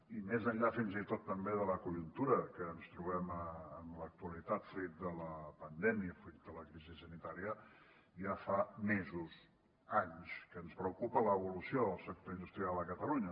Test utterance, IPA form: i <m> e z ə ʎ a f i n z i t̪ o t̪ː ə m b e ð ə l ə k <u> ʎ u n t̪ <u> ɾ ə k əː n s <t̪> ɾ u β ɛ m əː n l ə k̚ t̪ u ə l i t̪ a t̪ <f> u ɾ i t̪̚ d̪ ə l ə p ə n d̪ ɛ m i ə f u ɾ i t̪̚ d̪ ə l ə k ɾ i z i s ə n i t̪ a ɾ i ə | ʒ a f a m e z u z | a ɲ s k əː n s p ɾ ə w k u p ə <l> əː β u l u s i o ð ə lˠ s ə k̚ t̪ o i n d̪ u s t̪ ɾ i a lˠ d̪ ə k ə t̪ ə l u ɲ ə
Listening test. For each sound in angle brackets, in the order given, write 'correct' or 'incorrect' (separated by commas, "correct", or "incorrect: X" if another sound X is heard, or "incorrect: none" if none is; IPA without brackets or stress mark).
correct, correct, correct, correct, correct, correct